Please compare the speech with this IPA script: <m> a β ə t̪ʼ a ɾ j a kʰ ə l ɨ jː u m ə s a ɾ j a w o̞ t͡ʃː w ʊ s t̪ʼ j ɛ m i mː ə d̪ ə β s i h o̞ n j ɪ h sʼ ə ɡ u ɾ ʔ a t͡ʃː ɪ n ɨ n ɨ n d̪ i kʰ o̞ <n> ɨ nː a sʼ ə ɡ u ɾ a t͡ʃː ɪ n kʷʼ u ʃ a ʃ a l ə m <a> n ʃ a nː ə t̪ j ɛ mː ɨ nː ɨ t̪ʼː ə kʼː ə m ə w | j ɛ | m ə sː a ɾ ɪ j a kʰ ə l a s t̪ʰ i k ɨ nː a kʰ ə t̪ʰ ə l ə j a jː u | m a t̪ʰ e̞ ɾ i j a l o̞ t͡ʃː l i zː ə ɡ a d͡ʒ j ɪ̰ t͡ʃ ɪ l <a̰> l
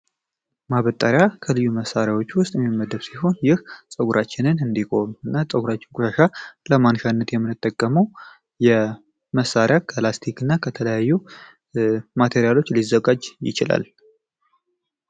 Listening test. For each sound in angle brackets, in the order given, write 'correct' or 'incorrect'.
correct, incorrect: m, correct, correct

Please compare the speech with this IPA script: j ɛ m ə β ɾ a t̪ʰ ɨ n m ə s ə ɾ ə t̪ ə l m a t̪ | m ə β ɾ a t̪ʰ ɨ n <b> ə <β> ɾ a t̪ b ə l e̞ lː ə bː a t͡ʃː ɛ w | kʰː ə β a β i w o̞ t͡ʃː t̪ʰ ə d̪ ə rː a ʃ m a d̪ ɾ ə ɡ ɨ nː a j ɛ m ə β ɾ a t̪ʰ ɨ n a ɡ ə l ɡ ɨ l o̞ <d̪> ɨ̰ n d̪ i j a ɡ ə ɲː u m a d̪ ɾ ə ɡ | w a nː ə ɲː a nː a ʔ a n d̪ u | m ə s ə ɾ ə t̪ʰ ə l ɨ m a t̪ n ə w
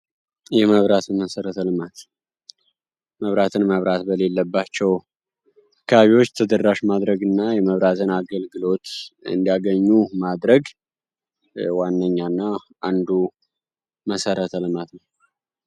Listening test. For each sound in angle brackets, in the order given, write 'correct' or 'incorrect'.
incorrect: m, correct, incorrect: t̪

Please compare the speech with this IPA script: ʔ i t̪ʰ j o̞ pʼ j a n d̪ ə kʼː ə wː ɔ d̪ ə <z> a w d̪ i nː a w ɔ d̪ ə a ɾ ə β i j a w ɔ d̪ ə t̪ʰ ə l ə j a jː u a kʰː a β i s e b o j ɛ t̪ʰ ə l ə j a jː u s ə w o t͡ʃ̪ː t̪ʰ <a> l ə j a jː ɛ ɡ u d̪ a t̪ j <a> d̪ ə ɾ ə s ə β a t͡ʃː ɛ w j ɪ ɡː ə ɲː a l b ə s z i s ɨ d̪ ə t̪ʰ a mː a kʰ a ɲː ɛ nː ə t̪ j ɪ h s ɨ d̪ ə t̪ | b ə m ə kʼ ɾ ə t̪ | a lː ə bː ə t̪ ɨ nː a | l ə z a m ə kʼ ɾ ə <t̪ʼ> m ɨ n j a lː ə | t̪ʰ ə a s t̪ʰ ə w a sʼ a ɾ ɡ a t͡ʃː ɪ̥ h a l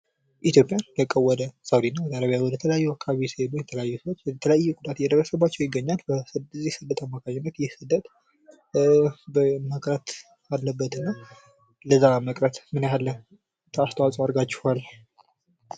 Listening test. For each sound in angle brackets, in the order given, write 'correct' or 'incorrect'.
incorrect: s, incorrect: ə, incorrect: ɛ, incorrect: t̪

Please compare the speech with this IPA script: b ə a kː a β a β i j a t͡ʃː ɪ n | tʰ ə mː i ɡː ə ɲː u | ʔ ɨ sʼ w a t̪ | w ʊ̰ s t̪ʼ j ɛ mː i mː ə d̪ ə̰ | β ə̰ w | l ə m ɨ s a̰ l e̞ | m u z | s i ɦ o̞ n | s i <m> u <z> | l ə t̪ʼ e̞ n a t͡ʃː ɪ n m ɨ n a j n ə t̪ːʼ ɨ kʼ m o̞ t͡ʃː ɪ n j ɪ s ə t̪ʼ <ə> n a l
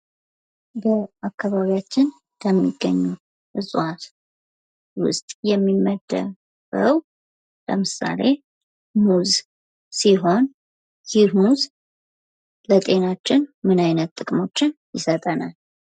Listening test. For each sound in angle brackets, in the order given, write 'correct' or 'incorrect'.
correct, correct, correct

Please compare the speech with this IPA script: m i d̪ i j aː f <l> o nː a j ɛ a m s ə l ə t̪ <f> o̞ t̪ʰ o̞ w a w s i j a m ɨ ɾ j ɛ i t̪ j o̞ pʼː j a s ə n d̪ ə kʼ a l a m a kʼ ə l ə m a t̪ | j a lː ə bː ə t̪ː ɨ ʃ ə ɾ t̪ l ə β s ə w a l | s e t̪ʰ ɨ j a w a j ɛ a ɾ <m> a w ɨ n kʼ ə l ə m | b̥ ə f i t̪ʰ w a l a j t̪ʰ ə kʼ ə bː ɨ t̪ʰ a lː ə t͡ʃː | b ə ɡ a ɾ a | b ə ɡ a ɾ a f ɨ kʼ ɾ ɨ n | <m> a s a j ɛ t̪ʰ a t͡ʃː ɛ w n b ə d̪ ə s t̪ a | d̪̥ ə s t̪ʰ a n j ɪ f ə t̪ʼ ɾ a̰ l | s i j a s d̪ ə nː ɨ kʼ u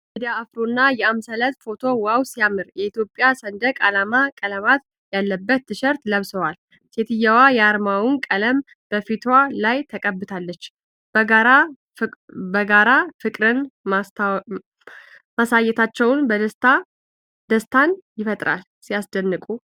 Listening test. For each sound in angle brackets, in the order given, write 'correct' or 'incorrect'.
incorrect: ɾ, correct, correct, correct

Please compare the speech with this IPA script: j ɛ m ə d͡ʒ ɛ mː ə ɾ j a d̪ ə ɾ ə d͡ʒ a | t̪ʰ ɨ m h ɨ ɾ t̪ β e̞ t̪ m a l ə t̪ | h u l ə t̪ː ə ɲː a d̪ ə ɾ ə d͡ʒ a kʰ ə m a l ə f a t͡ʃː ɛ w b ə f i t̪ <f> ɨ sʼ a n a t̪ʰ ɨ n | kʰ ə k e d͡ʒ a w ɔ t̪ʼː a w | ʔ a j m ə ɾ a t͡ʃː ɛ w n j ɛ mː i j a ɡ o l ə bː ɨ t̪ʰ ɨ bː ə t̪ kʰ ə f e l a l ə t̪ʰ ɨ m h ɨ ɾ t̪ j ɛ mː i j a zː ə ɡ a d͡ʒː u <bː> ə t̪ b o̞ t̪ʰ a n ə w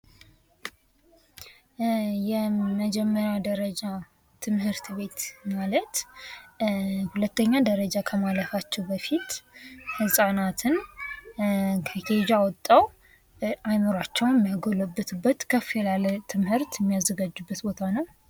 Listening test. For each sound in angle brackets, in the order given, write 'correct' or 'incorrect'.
incorrect: h, correct

